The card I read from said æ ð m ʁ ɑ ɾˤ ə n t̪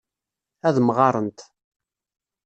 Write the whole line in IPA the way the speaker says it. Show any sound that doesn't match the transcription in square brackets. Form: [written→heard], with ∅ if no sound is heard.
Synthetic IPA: æ ð m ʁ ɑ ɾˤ ə n t̪